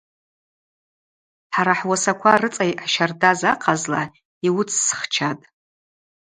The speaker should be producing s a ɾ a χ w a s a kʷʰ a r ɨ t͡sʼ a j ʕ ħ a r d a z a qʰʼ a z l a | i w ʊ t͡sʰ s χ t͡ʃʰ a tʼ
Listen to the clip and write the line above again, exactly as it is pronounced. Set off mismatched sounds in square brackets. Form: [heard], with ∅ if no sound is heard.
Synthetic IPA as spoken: [ħ] a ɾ a [ħ] w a s a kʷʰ a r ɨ t͡sʼ a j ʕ [ʃ] a r d a z a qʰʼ a z l a | i w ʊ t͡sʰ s χ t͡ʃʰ a tʼ